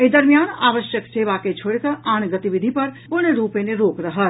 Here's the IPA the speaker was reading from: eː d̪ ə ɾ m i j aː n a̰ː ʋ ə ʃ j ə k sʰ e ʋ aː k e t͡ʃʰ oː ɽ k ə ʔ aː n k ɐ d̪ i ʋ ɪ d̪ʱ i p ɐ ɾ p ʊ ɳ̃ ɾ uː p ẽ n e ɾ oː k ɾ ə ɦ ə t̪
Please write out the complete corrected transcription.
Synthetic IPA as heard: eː d̪ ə ɾ m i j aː n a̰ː ʋ ə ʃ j ə k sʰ e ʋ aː k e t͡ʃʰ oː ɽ k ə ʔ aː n ɡ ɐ t̪ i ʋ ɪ d̪ʱ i p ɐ ɾ p ʊ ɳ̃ ɾ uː p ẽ n e ɾ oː k ɾ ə ɦ ə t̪